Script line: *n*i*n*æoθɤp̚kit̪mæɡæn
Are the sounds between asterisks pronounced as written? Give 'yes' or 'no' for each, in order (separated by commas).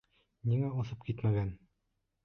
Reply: yes, no